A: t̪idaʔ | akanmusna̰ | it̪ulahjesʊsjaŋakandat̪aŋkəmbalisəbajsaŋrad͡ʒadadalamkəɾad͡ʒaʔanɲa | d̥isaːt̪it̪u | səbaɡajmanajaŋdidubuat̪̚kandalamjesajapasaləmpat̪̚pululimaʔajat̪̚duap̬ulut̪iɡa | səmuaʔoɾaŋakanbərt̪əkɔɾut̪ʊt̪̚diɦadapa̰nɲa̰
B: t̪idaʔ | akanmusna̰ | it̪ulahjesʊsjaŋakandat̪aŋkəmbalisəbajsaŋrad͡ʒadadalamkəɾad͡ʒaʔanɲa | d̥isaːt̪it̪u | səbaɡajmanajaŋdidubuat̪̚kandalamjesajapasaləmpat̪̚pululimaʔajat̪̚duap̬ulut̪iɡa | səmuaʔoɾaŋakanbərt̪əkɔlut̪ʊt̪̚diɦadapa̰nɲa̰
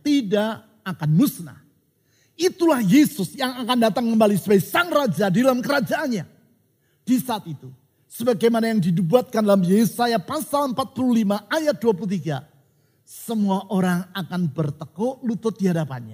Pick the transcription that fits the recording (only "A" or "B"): B